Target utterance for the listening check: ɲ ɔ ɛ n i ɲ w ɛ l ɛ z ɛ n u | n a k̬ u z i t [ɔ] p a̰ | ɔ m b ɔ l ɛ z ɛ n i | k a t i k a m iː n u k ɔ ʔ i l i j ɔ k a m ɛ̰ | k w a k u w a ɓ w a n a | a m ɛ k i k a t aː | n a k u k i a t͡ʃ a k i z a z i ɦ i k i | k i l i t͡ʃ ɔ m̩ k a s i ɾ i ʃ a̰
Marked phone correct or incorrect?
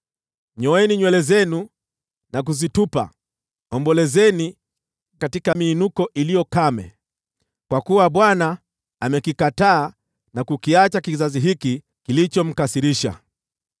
incorrect